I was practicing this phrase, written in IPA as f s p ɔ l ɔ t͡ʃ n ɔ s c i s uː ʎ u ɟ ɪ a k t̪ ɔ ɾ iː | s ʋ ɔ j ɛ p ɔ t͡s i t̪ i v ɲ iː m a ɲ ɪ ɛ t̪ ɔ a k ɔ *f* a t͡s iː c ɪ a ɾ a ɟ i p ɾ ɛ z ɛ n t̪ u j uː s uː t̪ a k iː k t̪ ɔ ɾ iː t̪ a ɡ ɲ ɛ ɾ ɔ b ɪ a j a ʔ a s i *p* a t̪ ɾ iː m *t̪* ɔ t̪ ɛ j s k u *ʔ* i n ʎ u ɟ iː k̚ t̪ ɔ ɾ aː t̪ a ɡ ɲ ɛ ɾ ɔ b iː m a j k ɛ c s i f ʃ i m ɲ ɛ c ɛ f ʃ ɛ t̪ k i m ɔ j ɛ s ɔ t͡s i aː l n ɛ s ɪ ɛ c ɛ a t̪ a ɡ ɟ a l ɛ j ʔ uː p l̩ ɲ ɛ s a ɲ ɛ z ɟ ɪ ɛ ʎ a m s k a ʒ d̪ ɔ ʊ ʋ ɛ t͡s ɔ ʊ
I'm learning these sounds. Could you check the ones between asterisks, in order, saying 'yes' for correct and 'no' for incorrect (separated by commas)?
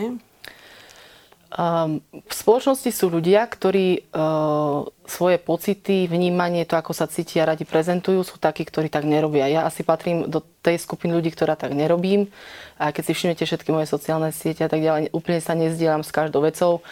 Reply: no, yes, no, no